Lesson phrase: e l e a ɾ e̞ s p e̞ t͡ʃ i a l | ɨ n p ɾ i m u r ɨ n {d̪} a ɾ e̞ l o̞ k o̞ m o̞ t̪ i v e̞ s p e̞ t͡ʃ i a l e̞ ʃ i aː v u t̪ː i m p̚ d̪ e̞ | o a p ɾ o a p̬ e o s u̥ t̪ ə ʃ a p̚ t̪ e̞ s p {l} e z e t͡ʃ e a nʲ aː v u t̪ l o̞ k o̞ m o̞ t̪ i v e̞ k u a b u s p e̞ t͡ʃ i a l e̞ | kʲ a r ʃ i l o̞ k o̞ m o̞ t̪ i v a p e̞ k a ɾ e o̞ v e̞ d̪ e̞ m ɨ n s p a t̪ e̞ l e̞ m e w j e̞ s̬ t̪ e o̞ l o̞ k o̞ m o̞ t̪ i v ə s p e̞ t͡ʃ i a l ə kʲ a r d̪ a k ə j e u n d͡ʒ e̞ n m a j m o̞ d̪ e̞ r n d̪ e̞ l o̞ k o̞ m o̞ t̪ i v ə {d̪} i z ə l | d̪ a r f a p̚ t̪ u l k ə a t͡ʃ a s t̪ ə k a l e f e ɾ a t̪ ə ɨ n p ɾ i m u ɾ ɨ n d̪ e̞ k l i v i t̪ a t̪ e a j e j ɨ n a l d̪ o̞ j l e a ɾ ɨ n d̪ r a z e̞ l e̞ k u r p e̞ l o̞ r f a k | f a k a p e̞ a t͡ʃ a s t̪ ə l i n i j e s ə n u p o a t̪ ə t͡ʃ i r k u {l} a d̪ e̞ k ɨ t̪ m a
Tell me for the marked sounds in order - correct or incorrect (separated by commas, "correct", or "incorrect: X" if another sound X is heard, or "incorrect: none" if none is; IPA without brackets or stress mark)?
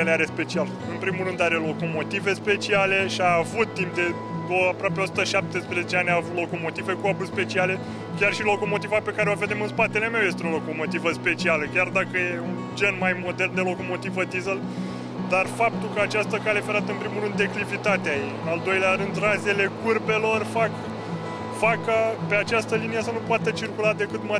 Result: correct, incorrect: ɾ, correct, correct